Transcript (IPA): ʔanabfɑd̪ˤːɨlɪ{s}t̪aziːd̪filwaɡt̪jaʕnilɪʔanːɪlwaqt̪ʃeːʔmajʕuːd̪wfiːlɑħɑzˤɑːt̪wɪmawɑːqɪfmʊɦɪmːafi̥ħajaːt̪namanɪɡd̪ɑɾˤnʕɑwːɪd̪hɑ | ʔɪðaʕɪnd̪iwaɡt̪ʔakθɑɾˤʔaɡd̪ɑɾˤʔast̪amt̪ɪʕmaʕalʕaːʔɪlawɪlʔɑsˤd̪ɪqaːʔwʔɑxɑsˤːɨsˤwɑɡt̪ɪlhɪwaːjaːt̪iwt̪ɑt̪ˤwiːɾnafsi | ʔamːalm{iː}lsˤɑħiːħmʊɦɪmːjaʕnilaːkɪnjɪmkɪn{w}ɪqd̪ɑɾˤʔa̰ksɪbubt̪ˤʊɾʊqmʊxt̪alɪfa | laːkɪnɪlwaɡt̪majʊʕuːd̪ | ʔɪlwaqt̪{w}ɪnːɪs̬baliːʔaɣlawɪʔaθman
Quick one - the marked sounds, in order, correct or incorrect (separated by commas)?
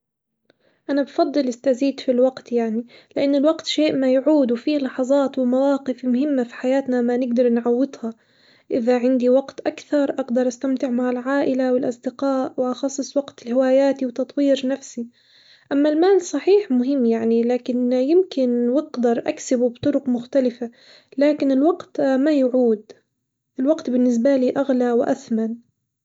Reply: correct, incorrect, correct, incorrect